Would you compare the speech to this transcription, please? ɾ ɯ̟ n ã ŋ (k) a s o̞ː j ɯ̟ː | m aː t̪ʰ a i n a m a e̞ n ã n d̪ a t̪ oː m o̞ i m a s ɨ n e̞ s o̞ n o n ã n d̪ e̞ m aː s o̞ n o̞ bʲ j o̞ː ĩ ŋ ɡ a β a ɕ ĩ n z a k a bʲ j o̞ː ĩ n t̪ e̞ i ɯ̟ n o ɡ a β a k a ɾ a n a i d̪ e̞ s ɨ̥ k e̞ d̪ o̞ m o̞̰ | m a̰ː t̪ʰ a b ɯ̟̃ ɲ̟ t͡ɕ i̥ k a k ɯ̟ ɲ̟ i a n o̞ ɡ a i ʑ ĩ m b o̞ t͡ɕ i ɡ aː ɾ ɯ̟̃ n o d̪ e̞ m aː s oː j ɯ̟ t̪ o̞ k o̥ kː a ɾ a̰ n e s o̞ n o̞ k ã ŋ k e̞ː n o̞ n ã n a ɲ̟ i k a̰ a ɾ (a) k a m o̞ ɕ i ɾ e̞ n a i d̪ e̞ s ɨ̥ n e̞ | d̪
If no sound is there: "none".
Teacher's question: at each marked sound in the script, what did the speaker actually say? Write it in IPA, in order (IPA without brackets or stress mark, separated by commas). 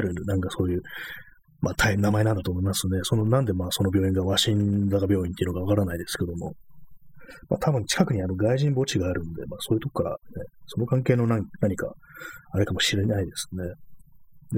k, e